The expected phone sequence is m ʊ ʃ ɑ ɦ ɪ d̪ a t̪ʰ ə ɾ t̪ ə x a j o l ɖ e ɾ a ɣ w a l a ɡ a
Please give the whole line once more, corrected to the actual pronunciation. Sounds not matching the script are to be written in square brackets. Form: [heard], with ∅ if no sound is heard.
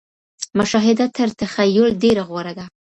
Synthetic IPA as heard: m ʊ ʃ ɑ ɦ ɪ d̪ a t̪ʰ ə ɾ t̪ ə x a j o l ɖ e ɾ a ɣ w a [ɾ] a ɡ a